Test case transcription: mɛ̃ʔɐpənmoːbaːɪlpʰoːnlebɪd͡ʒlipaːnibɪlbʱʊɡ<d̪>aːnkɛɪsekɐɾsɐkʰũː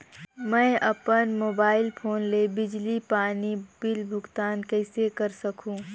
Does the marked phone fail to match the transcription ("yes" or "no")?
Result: yes